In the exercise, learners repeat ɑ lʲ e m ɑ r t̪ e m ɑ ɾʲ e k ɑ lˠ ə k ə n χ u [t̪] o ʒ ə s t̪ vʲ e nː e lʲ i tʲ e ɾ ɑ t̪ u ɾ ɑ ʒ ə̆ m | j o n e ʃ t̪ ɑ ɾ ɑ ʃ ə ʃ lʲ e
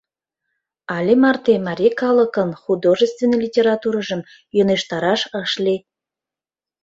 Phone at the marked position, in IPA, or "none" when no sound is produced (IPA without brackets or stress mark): d̪